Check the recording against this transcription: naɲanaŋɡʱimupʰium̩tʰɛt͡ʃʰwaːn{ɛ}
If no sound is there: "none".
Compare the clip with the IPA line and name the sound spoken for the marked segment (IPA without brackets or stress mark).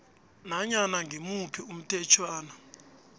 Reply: a